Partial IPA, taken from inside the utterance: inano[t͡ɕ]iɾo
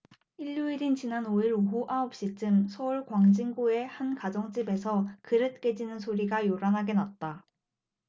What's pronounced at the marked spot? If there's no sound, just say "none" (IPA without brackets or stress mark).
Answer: none